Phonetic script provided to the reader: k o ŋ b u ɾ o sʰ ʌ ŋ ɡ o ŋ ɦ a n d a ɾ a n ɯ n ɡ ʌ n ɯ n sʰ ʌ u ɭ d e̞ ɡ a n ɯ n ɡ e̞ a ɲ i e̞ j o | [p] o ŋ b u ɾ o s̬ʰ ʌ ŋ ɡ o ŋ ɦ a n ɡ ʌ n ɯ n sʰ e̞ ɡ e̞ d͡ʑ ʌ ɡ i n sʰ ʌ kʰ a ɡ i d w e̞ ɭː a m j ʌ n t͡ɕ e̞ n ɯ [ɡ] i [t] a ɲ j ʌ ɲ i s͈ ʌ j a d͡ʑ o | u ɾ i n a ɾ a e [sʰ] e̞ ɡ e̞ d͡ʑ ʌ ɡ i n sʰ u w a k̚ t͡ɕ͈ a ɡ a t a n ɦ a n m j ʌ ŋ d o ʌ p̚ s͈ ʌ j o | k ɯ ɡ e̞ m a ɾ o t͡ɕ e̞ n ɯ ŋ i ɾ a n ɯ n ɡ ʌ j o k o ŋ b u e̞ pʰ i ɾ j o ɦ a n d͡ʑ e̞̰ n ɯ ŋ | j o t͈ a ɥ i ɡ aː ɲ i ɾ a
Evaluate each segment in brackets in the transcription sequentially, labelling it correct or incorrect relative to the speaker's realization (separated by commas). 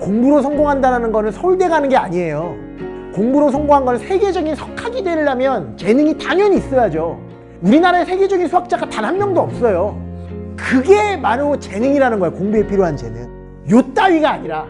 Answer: incorrect, incorrect, correct, correct